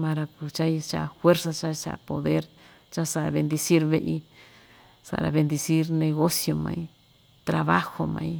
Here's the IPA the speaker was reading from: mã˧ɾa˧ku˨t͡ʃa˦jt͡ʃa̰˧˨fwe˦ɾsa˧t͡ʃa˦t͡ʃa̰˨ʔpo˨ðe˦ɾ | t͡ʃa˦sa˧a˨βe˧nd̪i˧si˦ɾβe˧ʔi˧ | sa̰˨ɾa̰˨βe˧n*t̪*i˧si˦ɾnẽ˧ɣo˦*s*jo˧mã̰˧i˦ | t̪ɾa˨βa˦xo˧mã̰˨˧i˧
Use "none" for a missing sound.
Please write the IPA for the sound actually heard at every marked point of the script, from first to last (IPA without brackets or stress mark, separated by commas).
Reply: d̪, s